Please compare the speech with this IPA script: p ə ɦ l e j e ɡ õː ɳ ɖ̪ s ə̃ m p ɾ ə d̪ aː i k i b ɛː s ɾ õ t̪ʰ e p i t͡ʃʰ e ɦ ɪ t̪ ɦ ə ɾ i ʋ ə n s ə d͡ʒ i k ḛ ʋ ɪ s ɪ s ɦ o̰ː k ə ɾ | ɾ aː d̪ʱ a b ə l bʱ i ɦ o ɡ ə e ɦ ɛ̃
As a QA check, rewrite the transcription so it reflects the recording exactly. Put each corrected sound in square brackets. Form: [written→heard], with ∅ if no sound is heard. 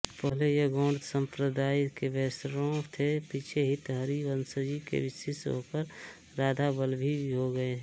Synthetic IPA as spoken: p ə ɦ l e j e ɡ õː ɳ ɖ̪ s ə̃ m p ɾ ə d̪ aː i k [i→e] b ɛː s ɾ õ t̪ʰ e p i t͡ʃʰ e ɦ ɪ t̪ ɦ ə ɾ i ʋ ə n s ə d͡ʒ i k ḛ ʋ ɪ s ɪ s ɦ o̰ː k ə ɾ | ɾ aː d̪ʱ a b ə l bʱ i ɦ o ɡ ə e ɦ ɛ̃

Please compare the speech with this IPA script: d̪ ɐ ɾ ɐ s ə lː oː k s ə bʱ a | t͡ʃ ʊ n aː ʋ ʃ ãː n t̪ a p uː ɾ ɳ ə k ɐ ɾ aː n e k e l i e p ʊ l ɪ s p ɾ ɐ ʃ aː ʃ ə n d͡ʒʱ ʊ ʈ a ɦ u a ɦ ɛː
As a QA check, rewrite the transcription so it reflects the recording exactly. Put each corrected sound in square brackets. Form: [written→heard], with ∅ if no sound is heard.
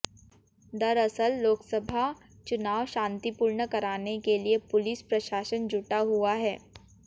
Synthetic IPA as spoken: d̪ ɐ ɾ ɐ s ə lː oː k s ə bʱ a | t͡ʃ ʊ n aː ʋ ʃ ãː n t̪ [a→i] p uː ɾ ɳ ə k ɐ ɾ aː n e k e l i e p ʊ l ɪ s p ɾ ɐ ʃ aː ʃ ə n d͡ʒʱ ʊ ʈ a ɦ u a ɦ ɛː

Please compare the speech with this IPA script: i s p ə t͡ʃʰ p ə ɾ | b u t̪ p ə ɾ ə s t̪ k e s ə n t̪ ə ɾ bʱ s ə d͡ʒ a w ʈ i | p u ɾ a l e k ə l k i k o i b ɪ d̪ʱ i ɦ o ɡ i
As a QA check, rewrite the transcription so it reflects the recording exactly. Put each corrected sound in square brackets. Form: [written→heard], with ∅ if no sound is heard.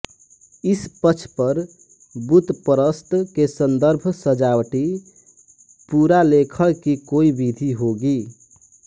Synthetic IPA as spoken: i s p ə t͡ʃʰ p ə ɾ | b u t̪ p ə ɾ ə s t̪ k e s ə n [t̪→d̪] ə ɾ bʱ s ə d͡ʒ a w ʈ i | p u ɾ a l e [k→kʰ] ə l k i k o i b [ɪ→i] d̪ʱ i ɦ o ɡ i

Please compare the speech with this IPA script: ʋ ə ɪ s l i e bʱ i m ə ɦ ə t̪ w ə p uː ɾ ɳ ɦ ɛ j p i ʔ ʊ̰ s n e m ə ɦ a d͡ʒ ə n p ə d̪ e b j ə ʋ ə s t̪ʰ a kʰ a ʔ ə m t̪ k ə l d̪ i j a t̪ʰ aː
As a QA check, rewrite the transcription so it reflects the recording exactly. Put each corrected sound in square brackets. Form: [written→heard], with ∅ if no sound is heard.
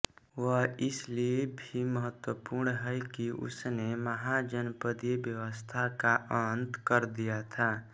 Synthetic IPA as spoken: ʋ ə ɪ s l i e bʱ i m ə ɦ ə t̪ w ə p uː ɾ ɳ ɦ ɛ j [p→k] i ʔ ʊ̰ s n e m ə ɦ a d͡ʒ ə n p ə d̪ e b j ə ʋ ə s t̪ʰ a [kʰ→k] a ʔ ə [m→n] t̪ k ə [l→ɾ] d̪ i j a t̪ʰ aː

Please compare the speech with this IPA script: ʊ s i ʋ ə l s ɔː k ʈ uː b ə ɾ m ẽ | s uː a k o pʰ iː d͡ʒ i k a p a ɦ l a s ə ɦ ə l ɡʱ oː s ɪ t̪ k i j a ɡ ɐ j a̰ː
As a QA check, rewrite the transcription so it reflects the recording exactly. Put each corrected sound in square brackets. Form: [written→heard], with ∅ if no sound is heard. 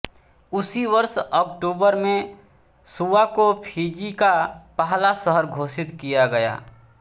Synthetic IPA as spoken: ʊ s i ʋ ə [l→ɾ] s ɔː k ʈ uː b ə ɾ m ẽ | s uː a k o pʰ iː d͡ʒ i k a p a ɦ l a s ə ɦ ə [l→ɾ] ɡʱ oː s ɪ t̪ k i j a ɡ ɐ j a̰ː

